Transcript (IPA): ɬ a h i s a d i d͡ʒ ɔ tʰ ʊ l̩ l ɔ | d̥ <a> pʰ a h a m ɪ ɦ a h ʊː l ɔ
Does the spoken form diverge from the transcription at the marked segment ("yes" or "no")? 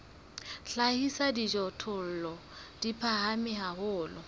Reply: yes